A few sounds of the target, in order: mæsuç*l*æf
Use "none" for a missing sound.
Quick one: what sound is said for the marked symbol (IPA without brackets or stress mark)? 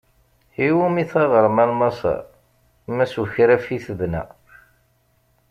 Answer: ɾ